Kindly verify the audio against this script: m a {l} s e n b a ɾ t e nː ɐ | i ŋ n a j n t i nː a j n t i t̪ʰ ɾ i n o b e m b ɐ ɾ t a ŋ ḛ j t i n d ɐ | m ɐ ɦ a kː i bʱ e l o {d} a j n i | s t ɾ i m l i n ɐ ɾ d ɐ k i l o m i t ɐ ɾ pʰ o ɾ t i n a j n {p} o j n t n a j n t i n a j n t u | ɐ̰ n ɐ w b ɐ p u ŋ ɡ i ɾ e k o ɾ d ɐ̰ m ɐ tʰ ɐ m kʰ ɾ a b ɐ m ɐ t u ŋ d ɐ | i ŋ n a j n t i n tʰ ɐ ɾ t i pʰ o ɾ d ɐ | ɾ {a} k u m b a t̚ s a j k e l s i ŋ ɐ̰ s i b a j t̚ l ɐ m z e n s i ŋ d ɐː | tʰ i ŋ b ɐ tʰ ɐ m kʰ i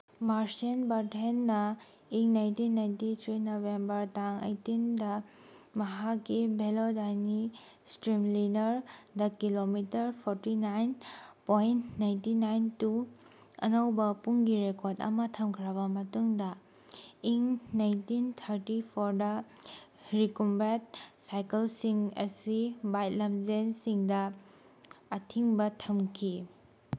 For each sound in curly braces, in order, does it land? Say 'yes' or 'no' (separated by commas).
no, yes, yes, no